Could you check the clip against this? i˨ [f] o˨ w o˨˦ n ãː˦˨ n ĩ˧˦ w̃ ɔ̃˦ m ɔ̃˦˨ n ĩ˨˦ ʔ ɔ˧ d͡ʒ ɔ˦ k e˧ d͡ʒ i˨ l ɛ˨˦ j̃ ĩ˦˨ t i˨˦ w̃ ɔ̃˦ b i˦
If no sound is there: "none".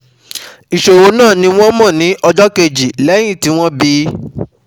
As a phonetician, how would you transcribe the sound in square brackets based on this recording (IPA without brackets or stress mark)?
ʃ